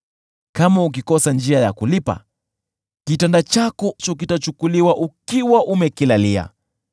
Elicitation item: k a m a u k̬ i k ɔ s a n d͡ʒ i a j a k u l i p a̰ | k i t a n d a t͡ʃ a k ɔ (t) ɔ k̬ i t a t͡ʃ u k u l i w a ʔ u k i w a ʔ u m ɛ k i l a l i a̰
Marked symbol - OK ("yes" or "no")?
no